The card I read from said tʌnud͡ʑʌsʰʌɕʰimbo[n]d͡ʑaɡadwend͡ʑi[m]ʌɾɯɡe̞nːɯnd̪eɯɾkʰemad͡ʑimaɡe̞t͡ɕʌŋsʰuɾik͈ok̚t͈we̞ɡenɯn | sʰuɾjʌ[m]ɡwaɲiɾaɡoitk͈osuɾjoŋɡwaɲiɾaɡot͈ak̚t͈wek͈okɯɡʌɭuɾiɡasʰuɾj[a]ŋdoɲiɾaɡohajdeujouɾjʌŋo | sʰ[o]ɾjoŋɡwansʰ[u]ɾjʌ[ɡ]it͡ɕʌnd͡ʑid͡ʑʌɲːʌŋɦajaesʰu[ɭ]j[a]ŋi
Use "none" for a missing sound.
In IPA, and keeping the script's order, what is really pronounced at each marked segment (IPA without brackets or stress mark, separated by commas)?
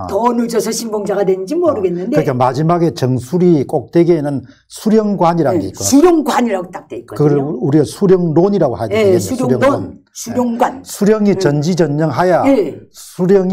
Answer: ŋ, m, ŋ, ʌ, u, u, ŋ, ɾ, ʌ